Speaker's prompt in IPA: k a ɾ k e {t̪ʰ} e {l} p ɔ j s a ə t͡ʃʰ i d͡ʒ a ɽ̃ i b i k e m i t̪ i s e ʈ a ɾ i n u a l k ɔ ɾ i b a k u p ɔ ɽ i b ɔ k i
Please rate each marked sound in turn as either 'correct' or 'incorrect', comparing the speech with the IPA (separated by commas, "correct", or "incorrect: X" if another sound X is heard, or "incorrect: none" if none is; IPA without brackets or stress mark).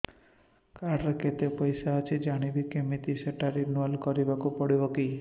incorrect: t̪, incorrect: none